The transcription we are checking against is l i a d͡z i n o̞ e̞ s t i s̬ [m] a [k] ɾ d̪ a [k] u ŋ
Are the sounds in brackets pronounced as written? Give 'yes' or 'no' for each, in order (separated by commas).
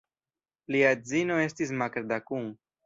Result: yes, yes, yes